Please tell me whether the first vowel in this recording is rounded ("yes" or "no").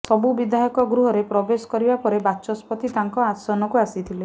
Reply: yes